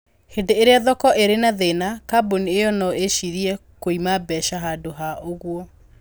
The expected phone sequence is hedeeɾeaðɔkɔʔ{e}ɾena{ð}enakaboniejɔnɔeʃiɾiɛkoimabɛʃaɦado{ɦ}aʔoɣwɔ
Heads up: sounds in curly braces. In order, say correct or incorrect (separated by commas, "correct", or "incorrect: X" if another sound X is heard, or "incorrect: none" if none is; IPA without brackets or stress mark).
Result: correct, correct, correct